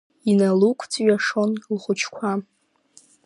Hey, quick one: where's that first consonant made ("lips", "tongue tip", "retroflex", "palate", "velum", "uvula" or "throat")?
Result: tongue tip